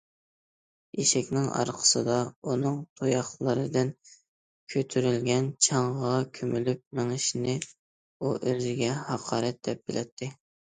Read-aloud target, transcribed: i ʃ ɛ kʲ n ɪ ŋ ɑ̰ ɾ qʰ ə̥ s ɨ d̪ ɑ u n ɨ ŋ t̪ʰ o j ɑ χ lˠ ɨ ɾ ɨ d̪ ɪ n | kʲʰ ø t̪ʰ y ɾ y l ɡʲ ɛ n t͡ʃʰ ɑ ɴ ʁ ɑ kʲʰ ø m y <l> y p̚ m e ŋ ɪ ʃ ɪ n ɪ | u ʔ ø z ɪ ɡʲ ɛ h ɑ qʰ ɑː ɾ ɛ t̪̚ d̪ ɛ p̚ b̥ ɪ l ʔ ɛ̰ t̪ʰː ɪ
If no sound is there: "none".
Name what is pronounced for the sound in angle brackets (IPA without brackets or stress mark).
l